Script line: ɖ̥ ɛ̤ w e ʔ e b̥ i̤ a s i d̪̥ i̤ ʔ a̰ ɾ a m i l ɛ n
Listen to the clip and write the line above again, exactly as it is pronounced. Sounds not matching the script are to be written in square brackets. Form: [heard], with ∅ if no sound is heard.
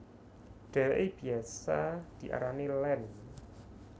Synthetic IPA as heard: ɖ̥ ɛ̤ w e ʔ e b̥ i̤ a s [a] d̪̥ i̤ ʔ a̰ ɾ a [n] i l ɛ n